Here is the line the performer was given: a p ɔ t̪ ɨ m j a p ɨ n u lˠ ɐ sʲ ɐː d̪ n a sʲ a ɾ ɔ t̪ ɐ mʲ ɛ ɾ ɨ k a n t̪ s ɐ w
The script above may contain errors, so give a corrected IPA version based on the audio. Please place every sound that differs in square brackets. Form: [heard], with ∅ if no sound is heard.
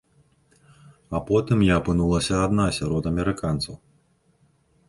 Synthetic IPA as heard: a p ɔ t̪ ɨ m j a p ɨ n u lˠ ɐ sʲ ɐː d̪ n a sʲ a ɾ ɔ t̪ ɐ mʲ ɛ ɾ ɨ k a n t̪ s ɐ w